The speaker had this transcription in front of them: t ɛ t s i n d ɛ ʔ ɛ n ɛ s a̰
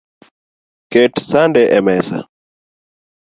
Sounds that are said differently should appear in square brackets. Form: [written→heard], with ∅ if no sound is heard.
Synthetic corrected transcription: [t→k] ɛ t s [i→a] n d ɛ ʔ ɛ [n→m] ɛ s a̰